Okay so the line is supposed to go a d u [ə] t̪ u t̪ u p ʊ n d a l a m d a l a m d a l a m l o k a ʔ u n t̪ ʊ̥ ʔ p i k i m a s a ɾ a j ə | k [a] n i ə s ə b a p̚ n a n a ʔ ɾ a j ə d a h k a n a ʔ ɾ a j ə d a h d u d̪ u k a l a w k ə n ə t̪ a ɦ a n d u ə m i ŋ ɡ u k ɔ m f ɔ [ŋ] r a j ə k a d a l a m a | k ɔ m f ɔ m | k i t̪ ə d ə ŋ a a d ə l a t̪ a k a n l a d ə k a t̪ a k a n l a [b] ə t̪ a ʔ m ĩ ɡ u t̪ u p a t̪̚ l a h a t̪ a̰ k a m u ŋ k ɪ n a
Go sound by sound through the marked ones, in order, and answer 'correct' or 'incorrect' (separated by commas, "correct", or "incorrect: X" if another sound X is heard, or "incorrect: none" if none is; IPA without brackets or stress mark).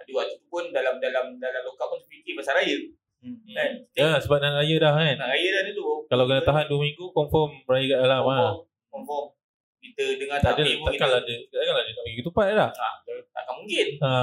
incorrect: a, correct, incorrect: m, incorrect: d